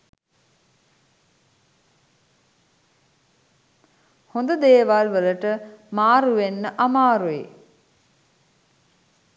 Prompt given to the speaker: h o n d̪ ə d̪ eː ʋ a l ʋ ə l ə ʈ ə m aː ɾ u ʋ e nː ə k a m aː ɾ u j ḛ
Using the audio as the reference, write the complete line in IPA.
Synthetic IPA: h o n d̪ ə d̪ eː ʋ a l ʋ ə l ə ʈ ə m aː ɾ u ʋ e nː ə ʔ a m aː ɾ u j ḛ

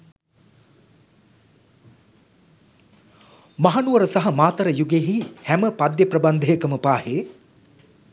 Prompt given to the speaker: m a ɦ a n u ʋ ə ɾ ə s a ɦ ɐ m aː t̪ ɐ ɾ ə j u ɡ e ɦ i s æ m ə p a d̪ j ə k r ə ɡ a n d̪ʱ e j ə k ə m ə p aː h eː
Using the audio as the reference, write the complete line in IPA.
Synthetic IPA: m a ɦ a n u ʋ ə ɾ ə s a ɦ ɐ m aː t̪ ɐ ɾ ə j u ɡ e ɦ i h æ m ə p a d̪ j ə p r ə b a n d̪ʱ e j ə k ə m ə p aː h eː

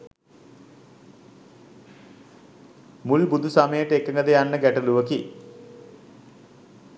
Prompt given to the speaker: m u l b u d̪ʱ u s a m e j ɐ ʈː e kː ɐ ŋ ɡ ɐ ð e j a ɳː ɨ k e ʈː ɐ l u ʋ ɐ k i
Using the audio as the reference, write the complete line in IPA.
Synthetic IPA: m u l b u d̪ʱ u s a m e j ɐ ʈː e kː ɐ ŋ ɡ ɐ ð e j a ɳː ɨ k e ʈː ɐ l u ʋ ɐ k i

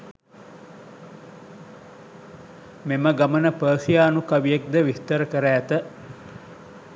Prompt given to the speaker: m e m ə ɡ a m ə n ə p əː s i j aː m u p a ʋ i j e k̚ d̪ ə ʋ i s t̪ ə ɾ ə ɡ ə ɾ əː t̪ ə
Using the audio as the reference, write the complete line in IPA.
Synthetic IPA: m e m ə ɡ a m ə n ə p əː s i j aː n u k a ʋ i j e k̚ d̪ ə ʋ i s t̪ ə ɾ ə k ə ɾ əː t̪ ə

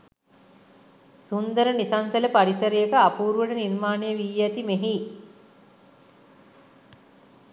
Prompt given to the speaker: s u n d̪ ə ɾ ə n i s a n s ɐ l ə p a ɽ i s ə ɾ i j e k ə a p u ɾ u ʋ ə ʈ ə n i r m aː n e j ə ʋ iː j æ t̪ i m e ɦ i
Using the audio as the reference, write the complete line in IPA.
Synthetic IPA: s u n d̪ ə ɾ ə n i s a n s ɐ l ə p a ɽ i s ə ɾ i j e k ə a p uː ɾ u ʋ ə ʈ ə n i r m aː n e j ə ʋ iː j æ t̪ i m e ɦ i

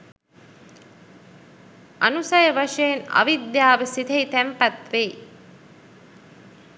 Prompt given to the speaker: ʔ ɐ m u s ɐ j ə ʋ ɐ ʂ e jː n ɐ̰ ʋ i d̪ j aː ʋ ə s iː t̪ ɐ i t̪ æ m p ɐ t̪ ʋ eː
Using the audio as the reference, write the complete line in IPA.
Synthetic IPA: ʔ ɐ n u s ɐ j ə ʋ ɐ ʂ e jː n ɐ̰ ʋ i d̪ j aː ʋ ə s i t̪ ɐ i t̪ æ m p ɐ t̪ ʋ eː

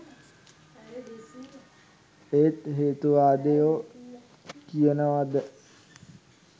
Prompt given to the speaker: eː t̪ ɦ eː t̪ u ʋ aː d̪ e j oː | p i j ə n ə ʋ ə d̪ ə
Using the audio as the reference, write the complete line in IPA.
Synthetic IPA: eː t̪ ɦ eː t̪ u ʋ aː d̪ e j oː | k i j ə n ə ʋ a d̪ ə

